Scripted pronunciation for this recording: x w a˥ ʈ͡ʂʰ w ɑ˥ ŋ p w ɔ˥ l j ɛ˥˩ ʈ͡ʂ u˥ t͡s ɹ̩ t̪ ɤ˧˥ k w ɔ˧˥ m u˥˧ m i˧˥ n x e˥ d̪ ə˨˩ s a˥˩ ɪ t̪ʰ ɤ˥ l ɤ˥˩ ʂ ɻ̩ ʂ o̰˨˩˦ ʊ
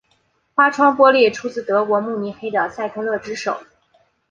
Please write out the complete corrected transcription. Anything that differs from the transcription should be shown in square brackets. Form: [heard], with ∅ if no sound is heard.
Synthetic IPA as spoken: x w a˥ ʈ͡ʂʰ w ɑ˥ ŋ p w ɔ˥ l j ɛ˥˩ [ʈ͡ʂʰ] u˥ t͡s ɹ̩ t̪ ɤ˧˥ k w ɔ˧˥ m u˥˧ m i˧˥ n x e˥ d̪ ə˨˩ s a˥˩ ɪ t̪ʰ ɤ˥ l ɤ˥˩ [ʈ͡ʂ] ɻ̩ ʂ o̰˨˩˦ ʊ